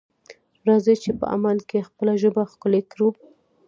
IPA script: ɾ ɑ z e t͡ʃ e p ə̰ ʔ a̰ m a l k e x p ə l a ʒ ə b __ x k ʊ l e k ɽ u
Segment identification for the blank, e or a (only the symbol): a